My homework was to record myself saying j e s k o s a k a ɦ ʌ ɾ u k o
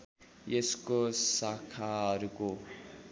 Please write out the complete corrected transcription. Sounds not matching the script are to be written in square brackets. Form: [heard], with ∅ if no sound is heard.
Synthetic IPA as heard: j e s k o s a [kʰ] a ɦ ʌ ɾ u k o